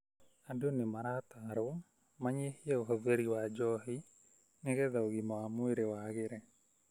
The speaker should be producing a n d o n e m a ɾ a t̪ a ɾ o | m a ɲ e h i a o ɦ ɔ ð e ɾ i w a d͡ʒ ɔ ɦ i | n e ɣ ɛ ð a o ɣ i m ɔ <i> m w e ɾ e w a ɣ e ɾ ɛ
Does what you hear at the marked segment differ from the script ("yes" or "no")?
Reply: yes